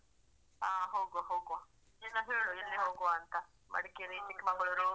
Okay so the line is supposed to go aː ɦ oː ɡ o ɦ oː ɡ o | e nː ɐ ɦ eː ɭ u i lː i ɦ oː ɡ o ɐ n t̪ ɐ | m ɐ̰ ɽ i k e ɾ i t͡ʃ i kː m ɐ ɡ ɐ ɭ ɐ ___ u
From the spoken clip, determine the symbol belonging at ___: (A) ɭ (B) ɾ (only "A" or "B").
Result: B